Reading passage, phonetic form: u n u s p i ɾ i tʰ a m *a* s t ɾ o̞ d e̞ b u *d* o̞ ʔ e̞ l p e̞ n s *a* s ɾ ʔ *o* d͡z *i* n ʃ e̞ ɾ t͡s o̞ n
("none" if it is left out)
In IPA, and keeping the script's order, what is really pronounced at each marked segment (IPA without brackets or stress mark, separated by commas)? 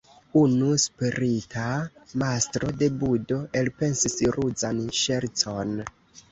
a, d, i, u, a